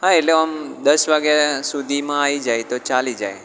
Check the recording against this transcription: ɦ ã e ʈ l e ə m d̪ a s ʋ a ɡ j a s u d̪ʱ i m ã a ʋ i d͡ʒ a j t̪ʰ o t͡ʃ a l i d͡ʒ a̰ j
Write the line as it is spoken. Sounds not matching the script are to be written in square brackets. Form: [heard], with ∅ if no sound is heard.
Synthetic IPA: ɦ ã e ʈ l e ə m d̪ [ə] s ʋ a ɡ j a s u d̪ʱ i m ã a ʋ i d͡ʒ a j [t̪] o t͡ʃ a l i d͡ʒ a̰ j